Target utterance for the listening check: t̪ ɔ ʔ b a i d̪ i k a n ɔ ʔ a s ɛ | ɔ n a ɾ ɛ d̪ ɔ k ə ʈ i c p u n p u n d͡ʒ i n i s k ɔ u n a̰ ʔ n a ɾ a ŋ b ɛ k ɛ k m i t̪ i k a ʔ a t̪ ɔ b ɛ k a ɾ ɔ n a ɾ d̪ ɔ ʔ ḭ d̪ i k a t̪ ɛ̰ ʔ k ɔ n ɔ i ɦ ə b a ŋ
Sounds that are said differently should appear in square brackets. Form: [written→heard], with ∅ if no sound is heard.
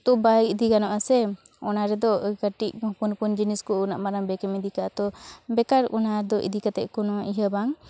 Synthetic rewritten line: t̪ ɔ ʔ b a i d̪ i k a n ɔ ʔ a s ɛ | ɔ n a ɾ ɛ d̪ ɔ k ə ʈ i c p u n p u n d͡ʒ i n i s k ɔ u n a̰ ʔ [n→m] a ɾ a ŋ b ɛ k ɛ [k→∅] m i [t̪→d̪] i k a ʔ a t̪ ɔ b ɛ k a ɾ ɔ n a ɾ d̪ ɔ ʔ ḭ d̪ i k a t̪ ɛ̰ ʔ k ɔ n ɔ i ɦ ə b a ŋ